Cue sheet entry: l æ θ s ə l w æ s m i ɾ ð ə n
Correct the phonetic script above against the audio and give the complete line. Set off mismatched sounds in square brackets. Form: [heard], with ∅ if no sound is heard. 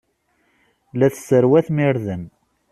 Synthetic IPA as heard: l æ θ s ə [ɾ] w æ [θ] m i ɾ ð ə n